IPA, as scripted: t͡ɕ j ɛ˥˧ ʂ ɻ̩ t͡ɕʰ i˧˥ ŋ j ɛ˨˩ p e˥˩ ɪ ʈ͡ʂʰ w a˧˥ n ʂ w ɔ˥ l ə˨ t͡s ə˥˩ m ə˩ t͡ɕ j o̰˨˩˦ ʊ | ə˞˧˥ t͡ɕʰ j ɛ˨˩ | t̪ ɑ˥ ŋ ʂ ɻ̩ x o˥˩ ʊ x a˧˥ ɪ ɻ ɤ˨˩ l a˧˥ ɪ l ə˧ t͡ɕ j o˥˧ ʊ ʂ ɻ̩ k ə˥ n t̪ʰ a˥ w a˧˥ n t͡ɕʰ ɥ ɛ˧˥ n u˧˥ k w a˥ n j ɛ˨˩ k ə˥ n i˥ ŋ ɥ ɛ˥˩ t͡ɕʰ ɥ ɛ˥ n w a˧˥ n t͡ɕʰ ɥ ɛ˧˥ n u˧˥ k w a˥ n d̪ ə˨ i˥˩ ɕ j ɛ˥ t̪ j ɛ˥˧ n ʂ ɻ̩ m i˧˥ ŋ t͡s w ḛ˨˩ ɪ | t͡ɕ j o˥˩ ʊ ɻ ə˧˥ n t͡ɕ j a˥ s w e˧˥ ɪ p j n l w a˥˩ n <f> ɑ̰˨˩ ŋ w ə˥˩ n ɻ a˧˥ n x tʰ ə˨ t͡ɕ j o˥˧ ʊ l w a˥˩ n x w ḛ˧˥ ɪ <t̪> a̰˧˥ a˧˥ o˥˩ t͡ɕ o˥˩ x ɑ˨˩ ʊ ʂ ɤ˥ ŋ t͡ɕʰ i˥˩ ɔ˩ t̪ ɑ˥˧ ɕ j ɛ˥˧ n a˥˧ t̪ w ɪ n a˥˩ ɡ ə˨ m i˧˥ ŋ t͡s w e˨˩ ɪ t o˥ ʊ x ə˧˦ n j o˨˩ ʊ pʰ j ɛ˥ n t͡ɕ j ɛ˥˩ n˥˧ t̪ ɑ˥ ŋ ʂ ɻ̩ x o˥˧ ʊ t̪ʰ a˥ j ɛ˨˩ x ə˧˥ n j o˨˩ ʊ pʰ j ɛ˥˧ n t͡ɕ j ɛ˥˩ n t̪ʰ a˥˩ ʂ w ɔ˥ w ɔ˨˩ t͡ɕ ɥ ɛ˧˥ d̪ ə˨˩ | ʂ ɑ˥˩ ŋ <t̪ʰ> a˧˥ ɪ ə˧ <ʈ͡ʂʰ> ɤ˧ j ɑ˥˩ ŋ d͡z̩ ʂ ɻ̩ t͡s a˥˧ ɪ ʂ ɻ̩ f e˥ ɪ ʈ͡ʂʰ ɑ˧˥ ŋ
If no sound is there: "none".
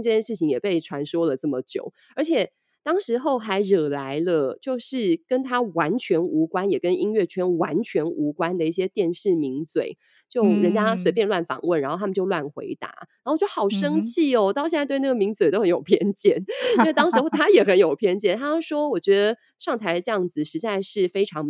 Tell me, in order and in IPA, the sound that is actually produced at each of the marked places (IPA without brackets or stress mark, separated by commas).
f, t̪, t̪ʰ, ʈ͡ʂ